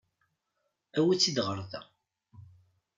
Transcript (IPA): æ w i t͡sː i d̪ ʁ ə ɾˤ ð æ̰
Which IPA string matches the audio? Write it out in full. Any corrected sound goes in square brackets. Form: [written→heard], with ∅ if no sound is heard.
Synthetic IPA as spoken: æ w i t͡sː i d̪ ʁ ə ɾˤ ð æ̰